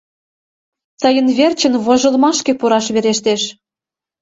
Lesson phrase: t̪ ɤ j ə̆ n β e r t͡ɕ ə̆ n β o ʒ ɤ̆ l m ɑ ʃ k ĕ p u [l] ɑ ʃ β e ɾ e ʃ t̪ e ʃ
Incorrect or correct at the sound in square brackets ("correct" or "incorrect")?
incorrect